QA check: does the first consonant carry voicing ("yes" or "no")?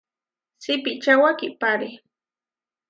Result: no